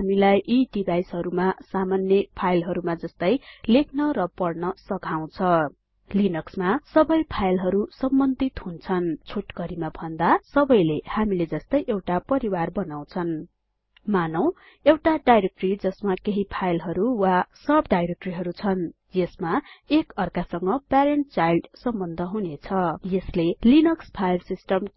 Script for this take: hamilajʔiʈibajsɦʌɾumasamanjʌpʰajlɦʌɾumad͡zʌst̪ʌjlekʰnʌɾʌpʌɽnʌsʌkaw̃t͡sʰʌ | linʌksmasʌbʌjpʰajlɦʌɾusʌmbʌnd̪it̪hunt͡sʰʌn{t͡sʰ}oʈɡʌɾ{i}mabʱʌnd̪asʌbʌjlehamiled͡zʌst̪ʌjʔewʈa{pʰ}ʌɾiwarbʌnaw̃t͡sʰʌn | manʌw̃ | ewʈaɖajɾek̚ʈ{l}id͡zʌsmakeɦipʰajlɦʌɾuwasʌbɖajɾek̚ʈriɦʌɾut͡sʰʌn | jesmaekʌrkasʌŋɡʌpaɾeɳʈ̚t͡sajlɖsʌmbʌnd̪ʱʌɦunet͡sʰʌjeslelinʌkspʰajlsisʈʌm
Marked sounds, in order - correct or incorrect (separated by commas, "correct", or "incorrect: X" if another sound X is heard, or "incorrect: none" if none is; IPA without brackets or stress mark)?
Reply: correct, correct, incorrect: p, incorrect: r